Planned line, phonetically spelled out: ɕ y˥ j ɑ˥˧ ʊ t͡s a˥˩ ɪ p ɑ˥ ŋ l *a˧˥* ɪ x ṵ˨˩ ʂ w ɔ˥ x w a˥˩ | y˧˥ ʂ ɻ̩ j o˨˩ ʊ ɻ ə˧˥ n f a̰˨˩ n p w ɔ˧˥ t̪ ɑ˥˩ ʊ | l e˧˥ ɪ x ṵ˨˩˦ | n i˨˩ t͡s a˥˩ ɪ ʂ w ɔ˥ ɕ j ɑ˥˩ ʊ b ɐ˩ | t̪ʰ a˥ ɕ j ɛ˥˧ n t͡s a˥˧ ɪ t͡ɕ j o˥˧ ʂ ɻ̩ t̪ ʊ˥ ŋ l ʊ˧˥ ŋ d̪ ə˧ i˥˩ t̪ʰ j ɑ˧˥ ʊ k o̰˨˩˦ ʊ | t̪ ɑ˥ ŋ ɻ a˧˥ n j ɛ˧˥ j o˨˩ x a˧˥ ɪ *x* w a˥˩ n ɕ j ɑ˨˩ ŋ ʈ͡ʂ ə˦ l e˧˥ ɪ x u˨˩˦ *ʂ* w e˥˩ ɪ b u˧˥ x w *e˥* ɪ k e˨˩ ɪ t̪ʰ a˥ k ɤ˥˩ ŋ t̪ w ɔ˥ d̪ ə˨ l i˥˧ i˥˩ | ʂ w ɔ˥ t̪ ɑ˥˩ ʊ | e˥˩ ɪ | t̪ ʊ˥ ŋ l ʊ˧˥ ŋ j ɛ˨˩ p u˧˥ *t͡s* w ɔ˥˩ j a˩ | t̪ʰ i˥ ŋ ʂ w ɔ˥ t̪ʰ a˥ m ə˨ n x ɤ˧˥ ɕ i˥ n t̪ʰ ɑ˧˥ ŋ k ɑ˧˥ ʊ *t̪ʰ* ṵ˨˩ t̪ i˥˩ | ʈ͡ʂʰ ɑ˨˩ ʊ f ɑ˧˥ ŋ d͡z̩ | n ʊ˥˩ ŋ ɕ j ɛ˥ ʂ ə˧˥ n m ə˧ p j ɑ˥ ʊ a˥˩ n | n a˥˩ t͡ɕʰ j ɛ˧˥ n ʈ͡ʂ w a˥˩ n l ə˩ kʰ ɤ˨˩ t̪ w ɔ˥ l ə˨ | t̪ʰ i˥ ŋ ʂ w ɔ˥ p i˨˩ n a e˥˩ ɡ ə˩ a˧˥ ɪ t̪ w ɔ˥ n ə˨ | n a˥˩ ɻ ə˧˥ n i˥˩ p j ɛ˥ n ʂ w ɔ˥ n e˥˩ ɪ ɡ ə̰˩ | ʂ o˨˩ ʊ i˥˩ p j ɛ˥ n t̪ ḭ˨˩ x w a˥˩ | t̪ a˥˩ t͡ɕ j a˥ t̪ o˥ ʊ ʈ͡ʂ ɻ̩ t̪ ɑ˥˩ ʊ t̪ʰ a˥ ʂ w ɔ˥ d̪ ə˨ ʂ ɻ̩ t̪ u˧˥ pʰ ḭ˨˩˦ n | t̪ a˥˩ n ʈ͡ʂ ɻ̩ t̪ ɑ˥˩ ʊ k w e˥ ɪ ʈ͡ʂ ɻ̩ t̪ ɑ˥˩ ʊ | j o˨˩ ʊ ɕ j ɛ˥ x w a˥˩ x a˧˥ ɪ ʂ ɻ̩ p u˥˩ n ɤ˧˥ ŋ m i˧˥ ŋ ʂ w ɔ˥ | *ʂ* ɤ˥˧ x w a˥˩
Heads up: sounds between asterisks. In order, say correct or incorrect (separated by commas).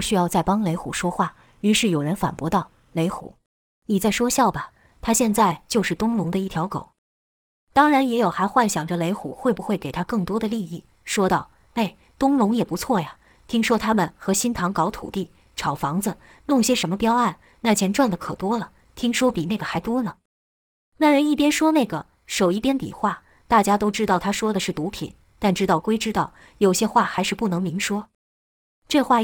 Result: incorrect, correct, incorrect, incorrect, incorrect, correct, incorrect